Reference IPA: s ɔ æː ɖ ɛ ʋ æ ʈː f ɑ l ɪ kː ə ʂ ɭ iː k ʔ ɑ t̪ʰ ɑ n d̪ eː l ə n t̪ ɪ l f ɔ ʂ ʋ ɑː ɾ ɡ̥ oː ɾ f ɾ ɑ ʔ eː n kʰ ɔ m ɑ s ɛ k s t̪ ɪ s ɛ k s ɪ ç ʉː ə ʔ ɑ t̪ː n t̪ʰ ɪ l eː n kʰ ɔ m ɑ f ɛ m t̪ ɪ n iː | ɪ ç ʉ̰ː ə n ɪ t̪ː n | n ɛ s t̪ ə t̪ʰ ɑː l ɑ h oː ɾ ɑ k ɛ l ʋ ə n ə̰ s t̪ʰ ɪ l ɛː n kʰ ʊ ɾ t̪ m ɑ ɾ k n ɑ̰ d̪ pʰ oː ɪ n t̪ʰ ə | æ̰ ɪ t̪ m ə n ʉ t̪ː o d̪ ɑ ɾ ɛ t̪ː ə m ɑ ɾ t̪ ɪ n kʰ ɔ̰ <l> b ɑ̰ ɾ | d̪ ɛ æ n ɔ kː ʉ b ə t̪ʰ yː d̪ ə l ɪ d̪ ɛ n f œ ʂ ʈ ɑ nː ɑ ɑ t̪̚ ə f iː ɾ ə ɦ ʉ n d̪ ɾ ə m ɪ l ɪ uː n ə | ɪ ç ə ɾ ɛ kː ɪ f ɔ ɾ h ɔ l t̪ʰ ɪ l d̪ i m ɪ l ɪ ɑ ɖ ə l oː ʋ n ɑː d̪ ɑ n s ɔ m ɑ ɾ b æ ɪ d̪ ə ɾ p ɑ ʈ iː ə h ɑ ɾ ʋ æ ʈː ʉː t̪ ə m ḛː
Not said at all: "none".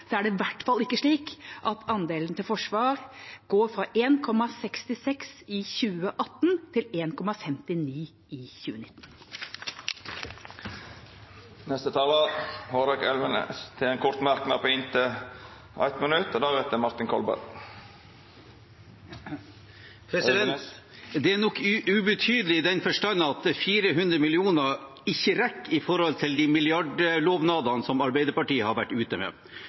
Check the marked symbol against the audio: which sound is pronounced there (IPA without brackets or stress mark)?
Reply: l